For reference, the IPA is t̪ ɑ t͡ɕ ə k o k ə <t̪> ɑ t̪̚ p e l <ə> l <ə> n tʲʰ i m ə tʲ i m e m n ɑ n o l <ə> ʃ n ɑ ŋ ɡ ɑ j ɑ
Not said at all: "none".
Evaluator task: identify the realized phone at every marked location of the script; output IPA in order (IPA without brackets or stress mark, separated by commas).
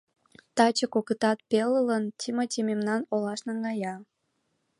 t̪, ə, ə, ɑ